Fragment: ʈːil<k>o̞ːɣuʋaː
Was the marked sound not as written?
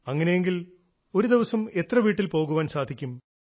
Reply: yes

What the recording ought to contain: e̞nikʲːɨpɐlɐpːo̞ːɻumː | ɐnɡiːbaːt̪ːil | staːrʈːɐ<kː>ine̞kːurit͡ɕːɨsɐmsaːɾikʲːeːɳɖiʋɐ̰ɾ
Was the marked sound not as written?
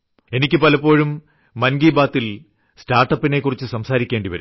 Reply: yes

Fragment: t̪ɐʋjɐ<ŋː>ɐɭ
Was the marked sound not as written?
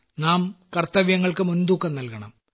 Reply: no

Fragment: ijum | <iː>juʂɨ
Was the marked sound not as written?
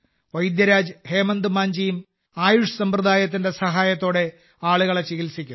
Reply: yes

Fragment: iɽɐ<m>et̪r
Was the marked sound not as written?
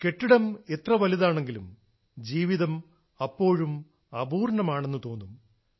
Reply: no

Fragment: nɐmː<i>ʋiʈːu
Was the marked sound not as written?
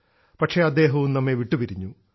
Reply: yes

